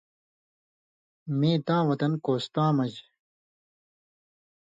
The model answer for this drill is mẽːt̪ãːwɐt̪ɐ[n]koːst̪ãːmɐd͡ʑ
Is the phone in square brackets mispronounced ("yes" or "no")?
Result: no